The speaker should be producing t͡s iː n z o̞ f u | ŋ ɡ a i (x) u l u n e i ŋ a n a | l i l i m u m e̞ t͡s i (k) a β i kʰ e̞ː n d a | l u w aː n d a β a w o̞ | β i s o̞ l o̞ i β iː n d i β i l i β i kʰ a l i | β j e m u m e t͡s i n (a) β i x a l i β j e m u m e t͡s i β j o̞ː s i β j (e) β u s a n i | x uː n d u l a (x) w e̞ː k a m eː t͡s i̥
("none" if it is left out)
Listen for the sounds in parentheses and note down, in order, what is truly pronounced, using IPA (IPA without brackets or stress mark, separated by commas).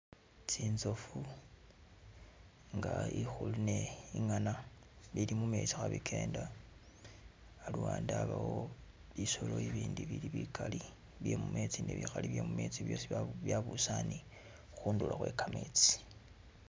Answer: x, x, e, a, x